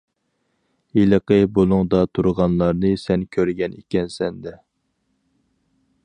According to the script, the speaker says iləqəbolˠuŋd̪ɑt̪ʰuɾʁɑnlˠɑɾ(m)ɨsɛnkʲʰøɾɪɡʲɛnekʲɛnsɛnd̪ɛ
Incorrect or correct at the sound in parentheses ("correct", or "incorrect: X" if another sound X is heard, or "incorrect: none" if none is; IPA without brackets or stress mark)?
incorrect: n